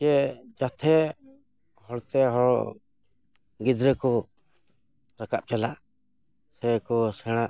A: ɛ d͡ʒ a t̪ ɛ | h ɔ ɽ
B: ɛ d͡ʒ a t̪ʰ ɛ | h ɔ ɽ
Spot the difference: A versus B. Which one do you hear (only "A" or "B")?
B